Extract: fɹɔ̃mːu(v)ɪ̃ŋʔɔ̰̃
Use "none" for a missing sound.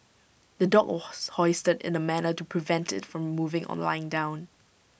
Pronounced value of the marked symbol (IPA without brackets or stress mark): v